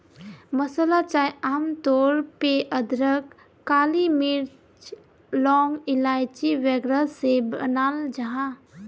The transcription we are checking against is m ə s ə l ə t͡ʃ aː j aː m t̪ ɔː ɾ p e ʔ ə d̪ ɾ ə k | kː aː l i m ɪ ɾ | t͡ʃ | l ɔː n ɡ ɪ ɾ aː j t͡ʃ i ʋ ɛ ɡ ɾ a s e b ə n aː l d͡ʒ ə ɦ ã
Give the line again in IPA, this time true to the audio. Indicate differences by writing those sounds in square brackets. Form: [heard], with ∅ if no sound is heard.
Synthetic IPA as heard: m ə s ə l [a] t͡ʃ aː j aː m t̪ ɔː ɾ p e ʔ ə d̪ ɾ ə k | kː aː l i m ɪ ɾ | t͡ʃ | l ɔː [ŋ] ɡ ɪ [l] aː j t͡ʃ i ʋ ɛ ɡ ɾ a s e b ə n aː l d͡ʒ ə ɦ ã